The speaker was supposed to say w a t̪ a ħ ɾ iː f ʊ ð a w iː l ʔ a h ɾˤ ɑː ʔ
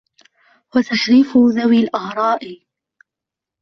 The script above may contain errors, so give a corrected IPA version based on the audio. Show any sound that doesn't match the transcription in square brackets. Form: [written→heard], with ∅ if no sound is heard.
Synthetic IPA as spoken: w a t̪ a [ħ→ʃ] ɾ iː f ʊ ð a w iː l ʔ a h ɾˤ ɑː ʔ

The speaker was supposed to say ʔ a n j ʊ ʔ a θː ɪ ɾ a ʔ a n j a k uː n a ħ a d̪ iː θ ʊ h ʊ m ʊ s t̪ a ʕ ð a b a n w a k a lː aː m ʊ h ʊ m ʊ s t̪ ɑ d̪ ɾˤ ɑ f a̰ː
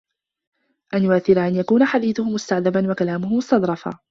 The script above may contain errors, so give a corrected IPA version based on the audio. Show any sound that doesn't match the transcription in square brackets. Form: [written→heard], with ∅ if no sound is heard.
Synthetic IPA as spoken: ʔ a n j ʊ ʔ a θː ɪ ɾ a ʔ a n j a k uː n a ħ a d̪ iː θ ʊ h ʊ m ʊ s t̪ a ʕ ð a b a n w a k a [lː→l] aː m ʊ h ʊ m ʊ s t̪ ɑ d̪ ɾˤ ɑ f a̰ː

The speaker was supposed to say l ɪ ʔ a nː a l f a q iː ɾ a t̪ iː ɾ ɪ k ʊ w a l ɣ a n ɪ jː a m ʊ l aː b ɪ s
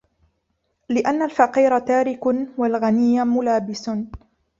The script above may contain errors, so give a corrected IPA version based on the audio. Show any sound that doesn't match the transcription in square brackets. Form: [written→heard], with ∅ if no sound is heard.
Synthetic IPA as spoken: l ɪ ʔ a nː a l f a q iː ɾ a t̪ [iː→aː] ɾ ɪ k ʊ w a l ɣ a n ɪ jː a m ʊ l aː b ɪ s

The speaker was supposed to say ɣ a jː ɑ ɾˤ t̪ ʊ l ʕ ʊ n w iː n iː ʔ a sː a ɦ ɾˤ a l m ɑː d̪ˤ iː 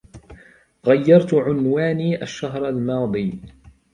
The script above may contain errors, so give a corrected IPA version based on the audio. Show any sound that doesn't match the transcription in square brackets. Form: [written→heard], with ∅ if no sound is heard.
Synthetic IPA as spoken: ɣ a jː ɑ ɾˤ t̪ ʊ [l→∅] ʕ ʊ n w [iː→aː] n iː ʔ a [sː→ʃː] a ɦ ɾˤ a l m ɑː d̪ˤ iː

